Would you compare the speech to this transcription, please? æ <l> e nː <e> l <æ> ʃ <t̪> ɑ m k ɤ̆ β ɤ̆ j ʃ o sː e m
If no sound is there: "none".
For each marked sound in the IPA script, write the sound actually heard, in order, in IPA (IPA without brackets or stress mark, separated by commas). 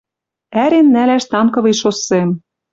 ɾ, æ, æ, t̪